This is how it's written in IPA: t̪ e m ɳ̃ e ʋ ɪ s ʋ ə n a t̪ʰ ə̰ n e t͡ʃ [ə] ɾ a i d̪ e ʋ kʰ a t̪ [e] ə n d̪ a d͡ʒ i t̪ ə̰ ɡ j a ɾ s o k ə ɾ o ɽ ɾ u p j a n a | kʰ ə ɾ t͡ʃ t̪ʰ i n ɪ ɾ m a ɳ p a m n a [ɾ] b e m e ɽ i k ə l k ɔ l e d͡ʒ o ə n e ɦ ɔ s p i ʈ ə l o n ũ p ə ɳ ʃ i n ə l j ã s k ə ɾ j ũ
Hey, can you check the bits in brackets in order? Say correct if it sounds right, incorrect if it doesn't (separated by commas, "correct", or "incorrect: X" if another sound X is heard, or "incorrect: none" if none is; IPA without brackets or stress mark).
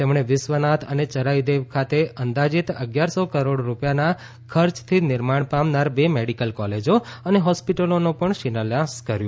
correct, correct, correct